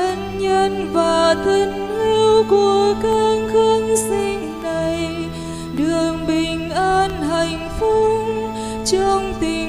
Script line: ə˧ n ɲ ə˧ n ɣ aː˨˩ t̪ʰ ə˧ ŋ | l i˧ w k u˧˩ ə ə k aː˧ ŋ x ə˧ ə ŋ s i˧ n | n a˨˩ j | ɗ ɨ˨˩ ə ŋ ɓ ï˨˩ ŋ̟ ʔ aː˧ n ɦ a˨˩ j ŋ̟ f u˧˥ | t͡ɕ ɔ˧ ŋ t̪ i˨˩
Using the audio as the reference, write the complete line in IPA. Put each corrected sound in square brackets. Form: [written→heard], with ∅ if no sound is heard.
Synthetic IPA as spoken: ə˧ n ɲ ə˧ n [ɣ→v] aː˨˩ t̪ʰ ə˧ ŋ | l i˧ w k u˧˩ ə ə k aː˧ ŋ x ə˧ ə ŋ s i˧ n | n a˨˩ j | ɗ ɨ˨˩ ə ŋ ɓ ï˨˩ ŋ̟ ʔ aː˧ n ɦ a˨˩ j ŋ̟ f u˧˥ | t͡ɕ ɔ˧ [ŋ→ŋ͡m] t̪ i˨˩